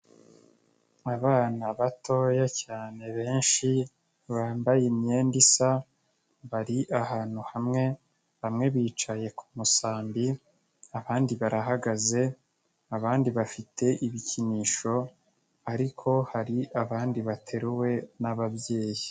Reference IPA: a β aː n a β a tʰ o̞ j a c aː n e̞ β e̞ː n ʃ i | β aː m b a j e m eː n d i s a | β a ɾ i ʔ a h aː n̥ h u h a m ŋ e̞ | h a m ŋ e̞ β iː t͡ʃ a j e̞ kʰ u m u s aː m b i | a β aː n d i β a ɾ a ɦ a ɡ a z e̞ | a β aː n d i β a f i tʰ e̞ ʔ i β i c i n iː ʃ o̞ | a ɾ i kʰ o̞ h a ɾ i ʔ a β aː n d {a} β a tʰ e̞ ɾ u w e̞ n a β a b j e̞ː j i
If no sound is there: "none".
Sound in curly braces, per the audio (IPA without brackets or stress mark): i